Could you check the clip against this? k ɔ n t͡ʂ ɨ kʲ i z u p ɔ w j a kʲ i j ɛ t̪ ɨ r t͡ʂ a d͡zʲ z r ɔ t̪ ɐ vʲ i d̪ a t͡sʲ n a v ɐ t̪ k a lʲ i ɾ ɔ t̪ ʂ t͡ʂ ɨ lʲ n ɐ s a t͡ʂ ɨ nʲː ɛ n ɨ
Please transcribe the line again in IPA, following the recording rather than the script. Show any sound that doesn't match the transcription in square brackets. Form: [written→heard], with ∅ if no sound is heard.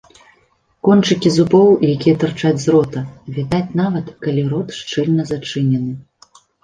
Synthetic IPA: k ɔ n t͡ʂ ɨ kʲ i z u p ɔ w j a kʲ i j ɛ t̪ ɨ r t͡ʂ a d͡zʲ z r ɔ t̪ ɐ vʲ i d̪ a t͡sʲ n a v ɐ t̪ k a lʲ i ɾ ɔ t̪ ʂ t͡ʂ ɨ lʲ n ɐ [s→z] a t͡ʂ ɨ [nʲː→nʲ] ɛ n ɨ

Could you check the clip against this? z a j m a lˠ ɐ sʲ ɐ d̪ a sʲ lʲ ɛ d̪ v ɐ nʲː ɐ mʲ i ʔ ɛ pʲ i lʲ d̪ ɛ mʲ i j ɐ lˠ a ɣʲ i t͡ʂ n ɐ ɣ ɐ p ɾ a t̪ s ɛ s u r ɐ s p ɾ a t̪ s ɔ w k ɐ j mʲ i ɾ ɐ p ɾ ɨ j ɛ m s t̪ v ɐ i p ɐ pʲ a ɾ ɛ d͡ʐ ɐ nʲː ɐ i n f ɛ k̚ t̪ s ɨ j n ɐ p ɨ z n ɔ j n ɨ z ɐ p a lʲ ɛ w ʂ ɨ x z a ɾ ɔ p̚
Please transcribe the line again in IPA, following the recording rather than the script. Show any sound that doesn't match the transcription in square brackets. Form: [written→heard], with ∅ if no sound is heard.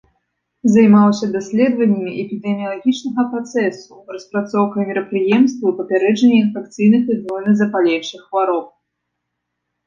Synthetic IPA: z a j m a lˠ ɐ sʲ ɐ d̪ a sʲ lʲ ɛ d̪ v ɐ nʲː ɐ mʲ i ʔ ɛ pʲ i [lʲ→∅] d̪ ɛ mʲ i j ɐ lˠ a ɣʲ i t͡ʂ n ɐ ɣ ɐ p ɾ a t̪ s ɛ s u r ɐ s p ɾ a t̪ s ɔ w k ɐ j mʲ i ɾ ɐ p ɾ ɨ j ɛ m s t̪ v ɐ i p ɐ pʲ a ɾ ɛ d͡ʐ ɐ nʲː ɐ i n f ɛ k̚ t̪ s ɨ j n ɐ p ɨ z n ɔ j n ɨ z ɐ p a lʲ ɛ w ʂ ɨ x [z→v] a ɾ ɔ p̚

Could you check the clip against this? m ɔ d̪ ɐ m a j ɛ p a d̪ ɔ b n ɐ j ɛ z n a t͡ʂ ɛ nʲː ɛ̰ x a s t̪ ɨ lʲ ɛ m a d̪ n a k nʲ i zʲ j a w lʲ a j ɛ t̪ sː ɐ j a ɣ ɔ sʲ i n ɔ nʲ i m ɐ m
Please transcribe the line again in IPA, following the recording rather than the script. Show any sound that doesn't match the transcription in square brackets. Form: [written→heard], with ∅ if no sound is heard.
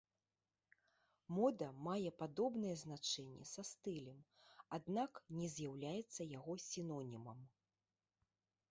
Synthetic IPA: m ɔ d̪ ɐ m a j ɛ p a d̪ ɔ b n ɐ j ɛ z n a t͡ʂ ɛ nʲː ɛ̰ [x→s] a s t̪ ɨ lʲ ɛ m a d̪ n a k nʲ [i→ɛ] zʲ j a w lʲ a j ɛ t̪ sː ɐ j a ɣ ɔ sʲ i n ɔ nʲ i m ɐ m

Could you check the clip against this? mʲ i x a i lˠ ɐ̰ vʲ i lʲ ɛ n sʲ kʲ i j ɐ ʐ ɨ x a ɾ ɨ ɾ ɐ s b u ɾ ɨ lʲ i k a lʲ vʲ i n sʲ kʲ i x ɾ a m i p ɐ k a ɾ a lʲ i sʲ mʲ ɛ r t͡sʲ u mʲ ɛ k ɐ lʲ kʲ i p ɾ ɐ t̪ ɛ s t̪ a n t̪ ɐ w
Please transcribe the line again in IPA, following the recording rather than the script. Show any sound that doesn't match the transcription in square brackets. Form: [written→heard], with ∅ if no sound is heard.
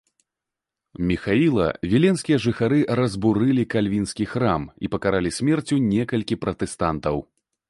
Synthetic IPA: mʲ i x a i lˠ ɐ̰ vʲ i lʲ ɛ n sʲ kʲ i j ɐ ʐ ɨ x a ɾ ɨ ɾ ɐ [s→z] b u ɾ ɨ lʲ i k a lʲ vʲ i n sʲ kʲ i x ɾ a m i p ɐ k a ɾ a lʲ i sʲ mʲ ɛ r t͡sʲ u [mʲ→nʲ] ɛ k ɐ lʲ kʲ i p ɾ ɐ t̪ ɛ s t̪ a n t̪ ɐ w

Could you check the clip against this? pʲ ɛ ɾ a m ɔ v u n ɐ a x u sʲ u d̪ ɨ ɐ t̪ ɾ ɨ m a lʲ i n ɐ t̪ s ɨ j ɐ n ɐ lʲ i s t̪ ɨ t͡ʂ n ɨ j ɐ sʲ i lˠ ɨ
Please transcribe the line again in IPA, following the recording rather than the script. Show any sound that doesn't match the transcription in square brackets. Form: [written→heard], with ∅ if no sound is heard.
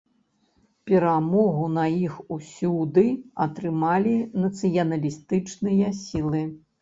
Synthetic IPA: pʲ ɛ ɾ a m ɔ [v→ɣ] u n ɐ [a→i] x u sʲ u d̪ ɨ ɐ t̪ ɾ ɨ m a lʲ i n ɐ t̪ s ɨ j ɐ n ɐ lʲ i s t̪ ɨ t͡ʂ n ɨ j ɐ sʲ i lˠ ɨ

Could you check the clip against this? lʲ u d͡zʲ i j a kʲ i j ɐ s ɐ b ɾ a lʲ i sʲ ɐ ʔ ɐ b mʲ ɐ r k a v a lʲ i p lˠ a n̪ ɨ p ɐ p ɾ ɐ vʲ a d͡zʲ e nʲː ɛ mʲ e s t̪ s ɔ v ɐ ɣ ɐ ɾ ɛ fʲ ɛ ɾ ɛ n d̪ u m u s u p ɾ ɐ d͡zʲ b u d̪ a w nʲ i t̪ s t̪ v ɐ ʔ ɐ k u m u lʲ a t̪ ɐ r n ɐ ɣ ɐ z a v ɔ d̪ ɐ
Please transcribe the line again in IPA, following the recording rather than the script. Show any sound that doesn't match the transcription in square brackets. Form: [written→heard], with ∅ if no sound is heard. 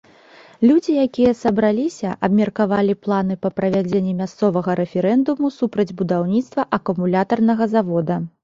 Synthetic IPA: lʲ u d͡zʲ i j a kʲ i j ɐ s ɐ b ɾ a lʲ i sʲ ɐ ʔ ɐ b mʲ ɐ r k a v a lʲ i p lˠ a n̪ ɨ p ɐ p ɾ ɐ vʲ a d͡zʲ e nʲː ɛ mʲ [e→a] s t̪ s ɔ v ɐ ɣ ɐ ɾ ɛ fʲ ɛ ɾ ɛ n d̪ u m u s u p ɾ ɐ d͡zʲ b u d̪ a w nʲ i t̪ s t̪ v ɐ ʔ ɐ k u m u lʲ a t̪ ɐ r n ɐ ɣ ɐ z a v ɔ d̪ ɐ

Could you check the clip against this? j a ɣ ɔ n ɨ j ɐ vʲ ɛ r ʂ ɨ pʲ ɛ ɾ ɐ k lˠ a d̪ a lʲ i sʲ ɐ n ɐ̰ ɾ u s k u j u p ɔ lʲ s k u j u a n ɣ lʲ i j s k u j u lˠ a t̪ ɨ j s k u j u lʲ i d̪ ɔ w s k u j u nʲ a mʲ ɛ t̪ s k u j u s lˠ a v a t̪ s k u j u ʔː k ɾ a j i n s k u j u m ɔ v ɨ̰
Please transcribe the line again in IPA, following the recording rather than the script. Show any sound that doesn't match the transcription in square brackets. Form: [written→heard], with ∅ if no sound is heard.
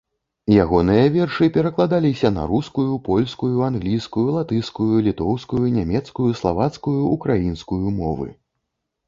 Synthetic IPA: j a ɣ ɔ n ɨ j ɐ vʲ ɛ r ʂ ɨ pʲ ɛ ɾ ɐ k lˠ a d̪ a lʲ i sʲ ɐ n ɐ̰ ɾ u s k u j u p ɔ lʲ s k u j u a n ɣ lʲ i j s k u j u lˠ a t̪ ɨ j s k u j u lʲ i [d̪→t̪] ɔ w s k u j u nʲ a mʲ ɛ t̪ s k u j u s lˠ a v a t̪ s k u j u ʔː k ɾ a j i n s k u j u m ɔ v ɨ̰

